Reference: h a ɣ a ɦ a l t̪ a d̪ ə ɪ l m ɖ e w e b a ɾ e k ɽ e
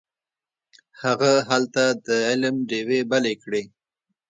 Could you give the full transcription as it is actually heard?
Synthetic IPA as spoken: h a ɣ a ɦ a l t̪ a d̪ ə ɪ l m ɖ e w e b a l e k ɽ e